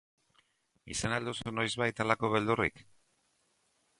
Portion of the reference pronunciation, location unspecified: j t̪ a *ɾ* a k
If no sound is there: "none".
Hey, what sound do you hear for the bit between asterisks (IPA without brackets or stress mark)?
l